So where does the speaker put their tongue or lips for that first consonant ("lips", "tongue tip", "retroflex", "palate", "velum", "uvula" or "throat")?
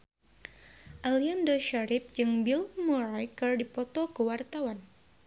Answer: throat